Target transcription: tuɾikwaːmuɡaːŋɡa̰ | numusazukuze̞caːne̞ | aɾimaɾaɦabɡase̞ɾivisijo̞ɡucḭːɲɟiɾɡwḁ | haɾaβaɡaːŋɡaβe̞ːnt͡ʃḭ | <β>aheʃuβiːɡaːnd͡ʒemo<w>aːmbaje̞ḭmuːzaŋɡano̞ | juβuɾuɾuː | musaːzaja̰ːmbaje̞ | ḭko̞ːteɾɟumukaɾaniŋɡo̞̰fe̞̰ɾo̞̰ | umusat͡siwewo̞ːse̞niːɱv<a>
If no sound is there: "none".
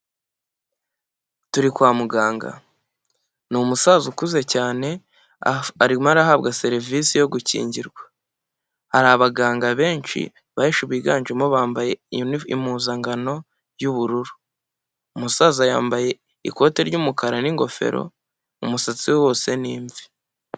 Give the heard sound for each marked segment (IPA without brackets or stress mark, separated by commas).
β, β, i